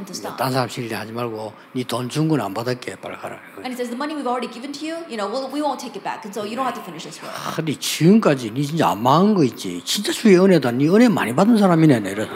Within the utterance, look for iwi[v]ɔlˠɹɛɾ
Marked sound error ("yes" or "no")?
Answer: no